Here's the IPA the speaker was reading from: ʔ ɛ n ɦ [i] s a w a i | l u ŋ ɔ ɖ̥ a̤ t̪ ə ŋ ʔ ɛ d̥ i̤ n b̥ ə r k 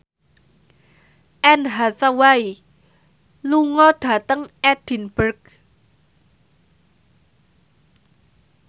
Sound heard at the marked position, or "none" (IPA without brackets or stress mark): a